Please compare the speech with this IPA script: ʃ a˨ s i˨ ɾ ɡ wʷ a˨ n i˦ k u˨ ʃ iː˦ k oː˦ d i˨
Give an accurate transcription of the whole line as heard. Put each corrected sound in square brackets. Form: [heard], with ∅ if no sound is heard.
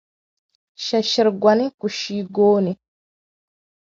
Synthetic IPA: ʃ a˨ [ʃ] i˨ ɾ ɡ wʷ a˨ n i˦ k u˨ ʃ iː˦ [ɡ] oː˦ [n] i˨